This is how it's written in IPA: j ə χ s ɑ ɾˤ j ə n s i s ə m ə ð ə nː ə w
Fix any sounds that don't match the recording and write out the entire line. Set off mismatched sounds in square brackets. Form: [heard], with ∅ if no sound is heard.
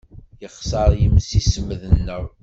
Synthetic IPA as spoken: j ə χ s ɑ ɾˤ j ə [m] s i s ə m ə ð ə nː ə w